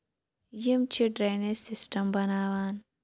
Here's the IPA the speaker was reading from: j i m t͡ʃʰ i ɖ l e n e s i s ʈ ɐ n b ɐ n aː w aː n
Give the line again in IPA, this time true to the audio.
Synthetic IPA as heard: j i m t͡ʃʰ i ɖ ɾ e n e s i s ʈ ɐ m b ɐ n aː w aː n